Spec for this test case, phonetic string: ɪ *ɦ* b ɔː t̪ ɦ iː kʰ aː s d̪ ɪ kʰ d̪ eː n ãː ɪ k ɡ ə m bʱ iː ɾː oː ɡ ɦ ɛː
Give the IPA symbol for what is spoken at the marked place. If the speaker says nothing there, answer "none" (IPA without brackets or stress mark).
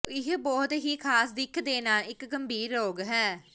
ɦ